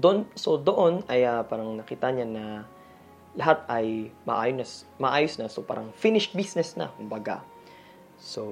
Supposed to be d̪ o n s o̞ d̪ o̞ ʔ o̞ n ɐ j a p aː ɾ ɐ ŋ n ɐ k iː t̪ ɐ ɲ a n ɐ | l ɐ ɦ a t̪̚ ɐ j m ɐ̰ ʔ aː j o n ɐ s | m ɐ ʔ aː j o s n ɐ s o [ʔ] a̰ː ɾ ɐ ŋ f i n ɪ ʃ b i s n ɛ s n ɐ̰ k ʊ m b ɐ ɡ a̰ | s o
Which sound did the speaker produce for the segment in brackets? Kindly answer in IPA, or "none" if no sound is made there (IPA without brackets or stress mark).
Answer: p